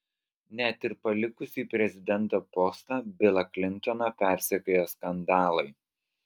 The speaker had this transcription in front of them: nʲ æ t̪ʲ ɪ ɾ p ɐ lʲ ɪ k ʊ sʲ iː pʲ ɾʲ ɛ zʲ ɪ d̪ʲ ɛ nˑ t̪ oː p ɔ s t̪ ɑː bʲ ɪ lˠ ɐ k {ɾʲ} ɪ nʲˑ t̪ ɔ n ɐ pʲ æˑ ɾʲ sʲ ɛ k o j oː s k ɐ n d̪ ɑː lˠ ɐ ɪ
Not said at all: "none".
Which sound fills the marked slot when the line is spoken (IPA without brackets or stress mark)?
lʲ